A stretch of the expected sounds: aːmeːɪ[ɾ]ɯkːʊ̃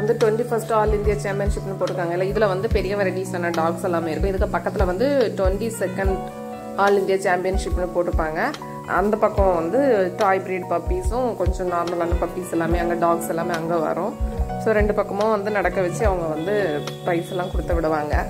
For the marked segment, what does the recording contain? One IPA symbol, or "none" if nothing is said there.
ɾ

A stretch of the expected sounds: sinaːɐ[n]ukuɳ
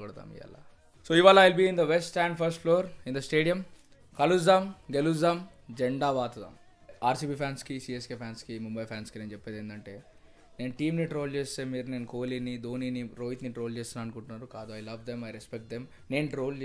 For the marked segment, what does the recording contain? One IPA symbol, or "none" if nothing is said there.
n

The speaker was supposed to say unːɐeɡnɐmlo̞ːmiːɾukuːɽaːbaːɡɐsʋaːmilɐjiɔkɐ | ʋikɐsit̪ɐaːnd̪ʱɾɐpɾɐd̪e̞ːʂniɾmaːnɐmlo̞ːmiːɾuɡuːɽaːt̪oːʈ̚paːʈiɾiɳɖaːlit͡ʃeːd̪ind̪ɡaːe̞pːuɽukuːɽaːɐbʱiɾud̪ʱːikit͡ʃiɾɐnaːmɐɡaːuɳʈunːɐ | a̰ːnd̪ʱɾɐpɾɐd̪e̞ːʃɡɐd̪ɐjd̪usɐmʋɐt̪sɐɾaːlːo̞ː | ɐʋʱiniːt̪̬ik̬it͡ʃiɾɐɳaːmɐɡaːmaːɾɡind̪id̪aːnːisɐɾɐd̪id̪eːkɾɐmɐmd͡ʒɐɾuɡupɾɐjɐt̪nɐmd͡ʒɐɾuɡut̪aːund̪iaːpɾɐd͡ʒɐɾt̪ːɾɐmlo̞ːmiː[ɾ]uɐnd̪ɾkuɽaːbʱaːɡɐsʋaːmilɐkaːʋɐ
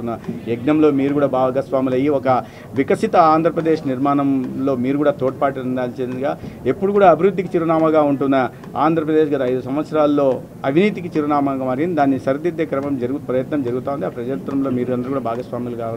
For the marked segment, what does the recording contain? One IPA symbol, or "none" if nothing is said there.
ɾ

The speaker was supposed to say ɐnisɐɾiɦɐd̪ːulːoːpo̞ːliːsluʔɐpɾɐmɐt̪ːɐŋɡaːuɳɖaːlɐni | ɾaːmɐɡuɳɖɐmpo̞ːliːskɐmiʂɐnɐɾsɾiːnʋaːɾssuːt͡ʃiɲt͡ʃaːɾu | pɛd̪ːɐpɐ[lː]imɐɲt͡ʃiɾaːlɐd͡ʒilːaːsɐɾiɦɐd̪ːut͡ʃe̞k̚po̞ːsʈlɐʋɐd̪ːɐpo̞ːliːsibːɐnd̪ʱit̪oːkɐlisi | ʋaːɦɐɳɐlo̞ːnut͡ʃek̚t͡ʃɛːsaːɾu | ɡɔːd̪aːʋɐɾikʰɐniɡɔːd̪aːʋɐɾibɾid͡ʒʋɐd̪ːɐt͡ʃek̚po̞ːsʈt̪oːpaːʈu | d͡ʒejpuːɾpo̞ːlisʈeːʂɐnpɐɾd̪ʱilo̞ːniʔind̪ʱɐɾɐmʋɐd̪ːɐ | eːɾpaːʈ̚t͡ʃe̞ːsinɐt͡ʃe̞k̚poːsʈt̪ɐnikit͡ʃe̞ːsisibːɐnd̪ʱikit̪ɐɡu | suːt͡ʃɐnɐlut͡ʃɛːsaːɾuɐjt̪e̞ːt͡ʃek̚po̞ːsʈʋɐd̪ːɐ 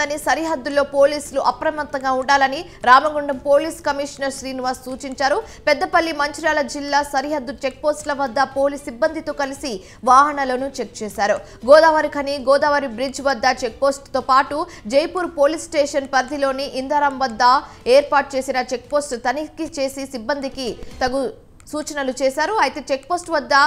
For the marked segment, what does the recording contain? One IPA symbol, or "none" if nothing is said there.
lː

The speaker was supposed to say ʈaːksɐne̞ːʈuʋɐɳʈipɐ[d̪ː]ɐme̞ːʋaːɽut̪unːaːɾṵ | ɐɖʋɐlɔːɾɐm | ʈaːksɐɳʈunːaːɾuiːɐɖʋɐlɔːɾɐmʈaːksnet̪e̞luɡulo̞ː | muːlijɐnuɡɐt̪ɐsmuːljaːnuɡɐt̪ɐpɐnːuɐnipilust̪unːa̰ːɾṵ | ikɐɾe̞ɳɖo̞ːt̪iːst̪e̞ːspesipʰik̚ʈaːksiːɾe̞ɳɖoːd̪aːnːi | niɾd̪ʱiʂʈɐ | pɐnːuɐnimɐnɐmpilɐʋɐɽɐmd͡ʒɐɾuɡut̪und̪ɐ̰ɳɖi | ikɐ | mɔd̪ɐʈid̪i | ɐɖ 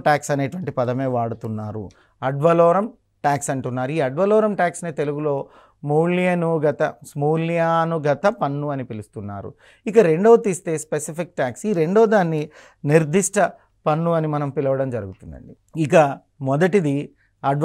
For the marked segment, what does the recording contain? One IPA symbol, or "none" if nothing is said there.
d̪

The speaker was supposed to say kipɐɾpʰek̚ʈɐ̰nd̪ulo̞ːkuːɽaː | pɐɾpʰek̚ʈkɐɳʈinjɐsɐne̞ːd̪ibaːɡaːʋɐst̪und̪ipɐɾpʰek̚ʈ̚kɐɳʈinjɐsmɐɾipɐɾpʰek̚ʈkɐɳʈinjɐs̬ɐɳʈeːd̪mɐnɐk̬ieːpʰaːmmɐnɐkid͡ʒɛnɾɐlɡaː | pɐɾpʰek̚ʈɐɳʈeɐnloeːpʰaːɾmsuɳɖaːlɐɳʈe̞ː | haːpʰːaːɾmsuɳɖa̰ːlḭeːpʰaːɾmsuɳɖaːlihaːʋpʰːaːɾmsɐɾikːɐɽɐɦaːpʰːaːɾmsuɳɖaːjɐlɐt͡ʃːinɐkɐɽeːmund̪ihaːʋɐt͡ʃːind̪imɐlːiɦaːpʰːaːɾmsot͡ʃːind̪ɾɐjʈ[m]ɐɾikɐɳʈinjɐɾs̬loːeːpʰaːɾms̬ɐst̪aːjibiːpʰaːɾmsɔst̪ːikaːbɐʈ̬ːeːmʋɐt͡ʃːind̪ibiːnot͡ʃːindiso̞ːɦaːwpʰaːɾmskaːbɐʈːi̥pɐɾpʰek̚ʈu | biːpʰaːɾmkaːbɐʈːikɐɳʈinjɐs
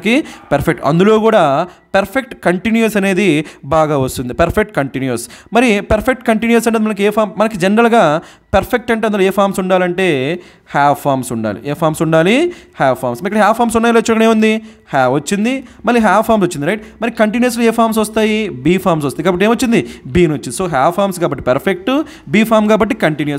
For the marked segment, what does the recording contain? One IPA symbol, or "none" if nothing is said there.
m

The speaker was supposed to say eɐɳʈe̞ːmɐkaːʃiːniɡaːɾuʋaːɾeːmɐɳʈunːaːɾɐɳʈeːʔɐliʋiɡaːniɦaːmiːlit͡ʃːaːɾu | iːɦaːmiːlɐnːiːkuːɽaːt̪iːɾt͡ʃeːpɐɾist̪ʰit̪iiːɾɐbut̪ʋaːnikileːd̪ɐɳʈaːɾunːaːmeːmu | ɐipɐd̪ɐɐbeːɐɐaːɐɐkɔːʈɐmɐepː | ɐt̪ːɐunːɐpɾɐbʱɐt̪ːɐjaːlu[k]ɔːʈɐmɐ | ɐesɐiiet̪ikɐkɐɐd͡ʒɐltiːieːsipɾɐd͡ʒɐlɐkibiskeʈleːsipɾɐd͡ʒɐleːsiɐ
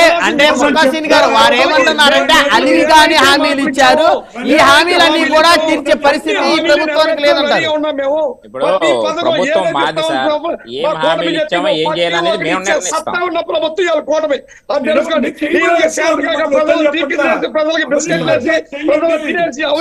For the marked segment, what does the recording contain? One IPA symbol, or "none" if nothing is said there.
k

